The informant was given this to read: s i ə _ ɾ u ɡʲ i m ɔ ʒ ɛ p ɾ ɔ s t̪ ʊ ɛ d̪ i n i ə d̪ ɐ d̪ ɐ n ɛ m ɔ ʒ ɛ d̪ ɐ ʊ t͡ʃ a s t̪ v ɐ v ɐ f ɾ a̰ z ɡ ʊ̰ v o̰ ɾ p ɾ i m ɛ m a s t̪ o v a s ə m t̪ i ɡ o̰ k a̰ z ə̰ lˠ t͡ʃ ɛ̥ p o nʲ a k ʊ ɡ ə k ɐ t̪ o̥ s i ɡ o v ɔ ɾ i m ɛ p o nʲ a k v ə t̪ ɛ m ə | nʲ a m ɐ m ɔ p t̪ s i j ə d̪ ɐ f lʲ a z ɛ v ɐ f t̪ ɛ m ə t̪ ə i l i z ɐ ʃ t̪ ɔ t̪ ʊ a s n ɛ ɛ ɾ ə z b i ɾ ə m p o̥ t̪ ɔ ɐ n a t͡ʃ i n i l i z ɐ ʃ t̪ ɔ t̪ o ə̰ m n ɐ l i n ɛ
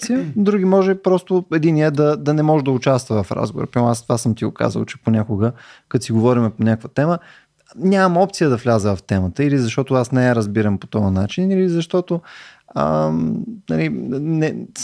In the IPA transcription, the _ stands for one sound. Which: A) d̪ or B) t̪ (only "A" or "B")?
A